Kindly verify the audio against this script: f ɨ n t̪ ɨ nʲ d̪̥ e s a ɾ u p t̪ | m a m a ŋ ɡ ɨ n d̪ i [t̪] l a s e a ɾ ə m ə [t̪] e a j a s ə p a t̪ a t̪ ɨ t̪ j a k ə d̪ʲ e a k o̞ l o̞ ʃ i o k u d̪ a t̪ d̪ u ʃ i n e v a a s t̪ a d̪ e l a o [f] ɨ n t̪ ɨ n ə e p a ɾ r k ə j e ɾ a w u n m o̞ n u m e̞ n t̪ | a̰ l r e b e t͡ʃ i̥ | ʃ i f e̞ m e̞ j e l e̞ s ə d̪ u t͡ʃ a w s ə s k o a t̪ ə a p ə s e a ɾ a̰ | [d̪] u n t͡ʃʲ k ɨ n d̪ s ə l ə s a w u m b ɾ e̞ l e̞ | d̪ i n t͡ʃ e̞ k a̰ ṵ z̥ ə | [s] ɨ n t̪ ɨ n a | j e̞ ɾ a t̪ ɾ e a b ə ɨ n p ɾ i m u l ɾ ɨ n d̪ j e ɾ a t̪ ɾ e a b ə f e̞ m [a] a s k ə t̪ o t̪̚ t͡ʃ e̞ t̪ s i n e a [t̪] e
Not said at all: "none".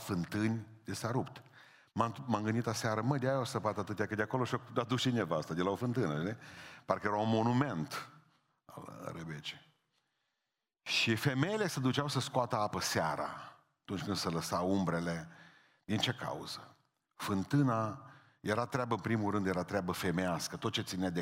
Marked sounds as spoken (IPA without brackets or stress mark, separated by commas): t̪, d̪, f, t̪, f, e, d̪